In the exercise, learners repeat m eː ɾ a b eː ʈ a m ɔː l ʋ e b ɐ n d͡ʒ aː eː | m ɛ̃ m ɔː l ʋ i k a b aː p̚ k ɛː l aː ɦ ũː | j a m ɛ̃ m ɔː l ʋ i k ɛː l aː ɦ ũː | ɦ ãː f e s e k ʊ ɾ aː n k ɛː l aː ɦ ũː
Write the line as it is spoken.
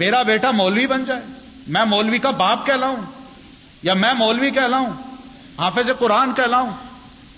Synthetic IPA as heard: m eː ɾ a b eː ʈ a m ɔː l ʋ i b ɐ n d͡ʒ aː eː | m ɛ̃ m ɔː l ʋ i k a b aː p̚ k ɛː l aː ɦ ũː | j a m ɛ̃ m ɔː l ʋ i k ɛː l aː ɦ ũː | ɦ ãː f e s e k ʊ ɾ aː n k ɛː l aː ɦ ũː